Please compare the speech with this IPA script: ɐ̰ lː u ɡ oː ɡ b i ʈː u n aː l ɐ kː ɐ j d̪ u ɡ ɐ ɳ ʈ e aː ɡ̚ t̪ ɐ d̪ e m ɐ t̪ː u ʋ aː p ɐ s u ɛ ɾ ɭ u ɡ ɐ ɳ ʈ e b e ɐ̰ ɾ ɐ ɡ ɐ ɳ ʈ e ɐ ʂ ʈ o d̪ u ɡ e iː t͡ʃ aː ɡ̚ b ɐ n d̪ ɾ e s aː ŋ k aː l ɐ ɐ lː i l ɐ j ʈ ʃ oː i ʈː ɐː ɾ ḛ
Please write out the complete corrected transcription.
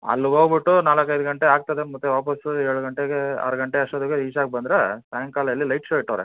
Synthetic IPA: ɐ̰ lː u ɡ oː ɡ b i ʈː u n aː l ɐ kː ɐ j d̪ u ɡ ɐ ɳ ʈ e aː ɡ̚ t̪ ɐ d̪ e m ɐ t̪ː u ʋ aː p ɐ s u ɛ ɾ ɭ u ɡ ɐ ɳ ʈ e ɡ e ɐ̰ ɾ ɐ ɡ ɐ ɳ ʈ e ɐ ʂ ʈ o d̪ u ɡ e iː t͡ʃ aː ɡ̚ b ɐ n d̪ ɾ e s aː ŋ k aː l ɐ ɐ lː i l ɐ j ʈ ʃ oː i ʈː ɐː ɾ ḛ